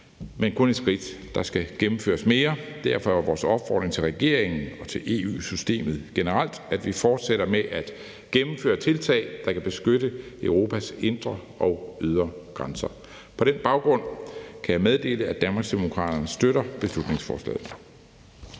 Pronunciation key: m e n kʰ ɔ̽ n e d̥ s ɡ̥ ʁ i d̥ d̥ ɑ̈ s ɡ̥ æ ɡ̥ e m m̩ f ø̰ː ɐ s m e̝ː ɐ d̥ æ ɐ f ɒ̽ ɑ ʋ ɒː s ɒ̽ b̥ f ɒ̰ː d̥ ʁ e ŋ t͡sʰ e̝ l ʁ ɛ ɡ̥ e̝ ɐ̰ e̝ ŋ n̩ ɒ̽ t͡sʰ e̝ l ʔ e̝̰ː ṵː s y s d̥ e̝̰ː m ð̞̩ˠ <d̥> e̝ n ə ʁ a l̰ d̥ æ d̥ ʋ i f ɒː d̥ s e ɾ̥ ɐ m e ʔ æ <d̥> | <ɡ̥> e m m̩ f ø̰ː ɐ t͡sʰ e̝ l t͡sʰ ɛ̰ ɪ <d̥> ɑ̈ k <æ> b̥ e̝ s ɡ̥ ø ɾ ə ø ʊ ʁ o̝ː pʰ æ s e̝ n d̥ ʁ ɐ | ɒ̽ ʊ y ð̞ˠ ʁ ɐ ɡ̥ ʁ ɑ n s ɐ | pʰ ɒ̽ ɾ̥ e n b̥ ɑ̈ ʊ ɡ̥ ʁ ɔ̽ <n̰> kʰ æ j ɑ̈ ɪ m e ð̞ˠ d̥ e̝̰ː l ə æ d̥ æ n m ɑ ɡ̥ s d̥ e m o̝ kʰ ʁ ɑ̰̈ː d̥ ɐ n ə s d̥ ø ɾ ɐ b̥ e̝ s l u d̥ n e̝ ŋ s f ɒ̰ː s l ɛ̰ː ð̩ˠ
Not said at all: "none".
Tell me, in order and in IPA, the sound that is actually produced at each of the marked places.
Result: ɡ̥, d̥, ɡ̥, d̥, æ, n̰

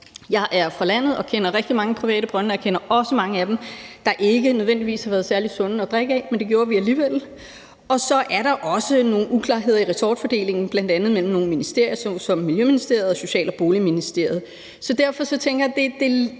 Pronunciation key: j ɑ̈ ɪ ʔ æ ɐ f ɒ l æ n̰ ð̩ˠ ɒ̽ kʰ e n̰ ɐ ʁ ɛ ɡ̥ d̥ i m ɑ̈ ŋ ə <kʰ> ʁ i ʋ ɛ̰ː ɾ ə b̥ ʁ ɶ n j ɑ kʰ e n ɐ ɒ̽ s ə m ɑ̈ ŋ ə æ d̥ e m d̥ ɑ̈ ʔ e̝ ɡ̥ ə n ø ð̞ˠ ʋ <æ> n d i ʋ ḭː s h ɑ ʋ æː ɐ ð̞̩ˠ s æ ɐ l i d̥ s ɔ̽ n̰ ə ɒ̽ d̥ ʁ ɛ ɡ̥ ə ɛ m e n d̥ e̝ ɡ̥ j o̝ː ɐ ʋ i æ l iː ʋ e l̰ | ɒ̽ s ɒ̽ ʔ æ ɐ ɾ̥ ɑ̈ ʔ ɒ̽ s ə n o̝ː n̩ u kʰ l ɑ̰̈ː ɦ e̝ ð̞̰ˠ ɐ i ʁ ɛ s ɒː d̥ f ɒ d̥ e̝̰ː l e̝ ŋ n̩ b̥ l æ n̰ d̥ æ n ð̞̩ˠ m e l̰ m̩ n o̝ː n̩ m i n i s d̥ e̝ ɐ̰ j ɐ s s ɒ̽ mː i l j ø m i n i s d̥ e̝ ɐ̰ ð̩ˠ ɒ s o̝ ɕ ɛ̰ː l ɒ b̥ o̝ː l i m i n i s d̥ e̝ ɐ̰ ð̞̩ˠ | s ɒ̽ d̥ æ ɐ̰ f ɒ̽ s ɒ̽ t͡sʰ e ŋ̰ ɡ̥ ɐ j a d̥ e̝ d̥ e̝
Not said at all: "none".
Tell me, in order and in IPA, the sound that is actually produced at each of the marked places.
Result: pʰ, e

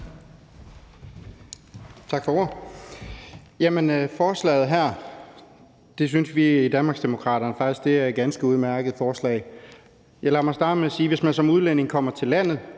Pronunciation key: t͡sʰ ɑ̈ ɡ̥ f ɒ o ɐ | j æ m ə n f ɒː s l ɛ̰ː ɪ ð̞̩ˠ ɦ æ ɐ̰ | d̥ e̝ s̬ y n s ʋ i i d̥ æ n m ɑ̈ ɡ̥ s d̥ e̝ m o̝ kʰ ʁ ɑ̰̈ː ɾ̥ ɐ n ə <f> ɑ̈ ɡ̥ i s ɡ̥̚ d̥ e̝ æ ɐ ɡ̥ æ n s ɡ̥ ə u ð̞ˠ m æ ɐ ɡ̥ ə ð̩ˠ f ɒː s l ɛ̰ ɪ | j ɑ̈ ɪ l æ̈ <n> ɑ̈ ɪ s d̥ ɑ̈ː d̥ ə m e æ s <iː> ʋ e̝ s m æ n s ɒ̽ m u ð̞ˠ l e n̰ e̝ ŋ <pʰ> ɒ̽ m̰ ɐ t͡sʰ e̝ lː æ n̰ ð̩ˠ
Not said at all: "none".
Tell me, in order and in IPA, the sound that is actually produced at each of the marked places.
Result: f, m, iː, kʰ

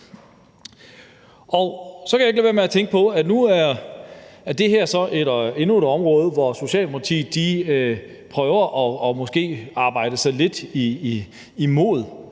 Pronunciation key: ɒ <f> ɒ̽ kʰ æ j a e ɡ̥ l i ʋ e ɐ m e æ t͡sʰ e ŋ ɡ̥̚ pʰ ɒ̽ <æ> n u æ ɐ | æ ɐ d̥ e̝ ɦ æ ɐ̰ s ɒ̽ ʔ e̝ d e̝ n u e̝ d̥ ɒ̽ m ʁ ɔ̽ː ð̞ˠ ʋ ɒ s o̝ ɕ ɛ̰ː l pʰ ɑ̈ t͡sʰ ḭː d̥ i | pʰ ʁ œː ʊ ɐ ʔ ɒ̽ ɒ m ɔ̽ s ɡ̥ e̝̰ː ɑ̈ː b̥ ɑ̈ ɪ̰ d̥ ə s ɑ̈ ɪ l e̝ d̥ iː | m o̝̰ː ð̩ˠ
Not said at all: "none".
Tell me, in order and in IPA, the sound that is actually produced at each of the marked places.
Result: s, æ

